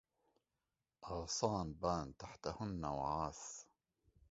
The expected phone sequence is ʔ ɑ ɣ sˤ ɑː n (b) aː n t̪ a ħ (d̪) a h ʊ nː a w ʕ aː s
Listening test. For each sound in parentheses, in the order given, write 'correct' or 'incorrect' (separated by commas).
correct, incorrect